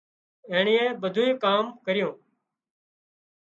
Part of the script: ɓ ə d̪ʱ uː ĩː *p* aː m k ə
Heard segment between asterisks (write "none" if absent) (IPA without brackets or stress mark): k